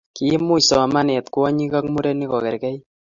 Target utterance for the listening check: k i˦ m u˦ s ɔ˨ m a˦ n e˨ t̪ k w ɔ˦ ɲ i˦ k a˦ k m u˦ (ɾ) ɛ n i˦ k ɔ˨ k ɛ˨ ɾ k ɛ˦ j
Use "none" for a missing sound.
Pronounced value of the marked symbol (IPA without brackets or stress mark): ɾ